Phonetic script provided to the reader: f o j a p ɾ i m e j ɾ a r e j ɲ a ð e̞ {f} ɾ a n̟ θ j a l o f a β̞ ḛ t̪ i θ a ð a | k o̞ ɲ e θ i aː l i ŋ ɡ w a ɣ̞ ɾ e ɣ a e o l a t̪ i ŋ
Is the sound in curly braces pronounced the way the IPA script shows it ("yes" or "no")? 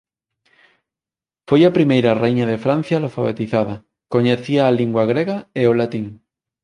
yes